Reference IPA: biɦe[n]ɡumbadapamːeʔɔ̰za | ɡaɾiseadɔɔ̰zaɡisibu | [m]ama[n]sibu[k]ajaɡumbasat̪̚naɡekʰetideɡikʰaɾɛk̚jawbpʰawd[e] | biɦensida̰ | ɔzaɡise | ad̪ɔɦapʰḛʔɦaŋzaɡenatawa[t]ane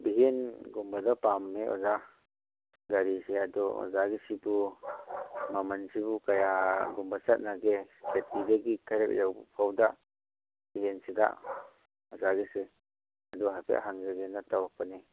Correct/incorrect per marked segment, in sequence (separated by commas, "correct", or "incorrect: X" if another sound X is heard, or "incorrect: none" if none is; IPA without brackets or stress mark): correct, correct, correct, correct, incorrect: a, incorrect: p